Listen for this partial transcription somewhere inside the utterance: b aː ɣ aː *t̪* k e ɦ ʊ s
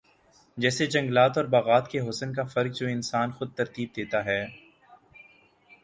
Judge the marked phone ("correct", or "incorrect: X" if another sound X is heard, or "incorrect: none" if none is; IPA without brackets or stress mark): correct